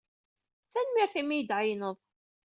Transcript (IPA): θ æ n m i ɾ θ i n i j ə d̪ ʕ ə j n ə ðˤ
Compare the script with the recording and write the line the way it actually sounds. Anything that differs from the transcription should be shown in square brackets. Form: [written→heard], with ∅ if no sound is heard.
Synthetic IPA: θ æ n m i ɾ θ i [n→m] i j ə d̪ ʕ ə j n ə ðˤ